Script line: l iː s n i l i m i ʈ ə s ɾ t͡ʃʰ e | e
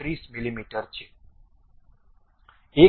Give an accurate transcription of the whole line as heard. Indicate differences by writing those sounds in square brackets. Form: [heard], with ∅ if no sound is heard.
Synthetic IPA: [ɾ] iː s [m] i l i m i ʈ ə [∅] ɾ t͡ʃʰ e | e